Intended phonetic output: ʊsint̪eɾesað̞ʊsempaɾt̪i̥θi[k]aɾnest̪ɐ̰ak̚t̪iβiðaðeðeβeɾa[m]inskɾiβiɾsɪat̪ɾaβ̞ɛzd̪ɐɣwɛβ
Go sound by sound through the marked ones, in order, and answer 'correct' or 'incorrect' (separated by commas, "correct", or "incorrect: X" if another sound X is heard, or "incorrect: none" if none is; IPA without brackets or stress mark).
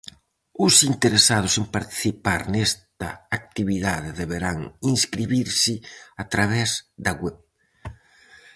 incorrect: p, incorrect: ŋ